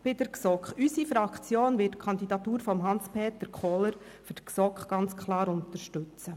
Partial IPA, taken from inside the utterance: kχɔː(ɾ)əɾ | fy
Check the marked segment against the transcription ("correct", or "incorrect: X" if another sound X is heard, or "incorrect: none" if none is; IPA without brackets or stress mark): incorrect: l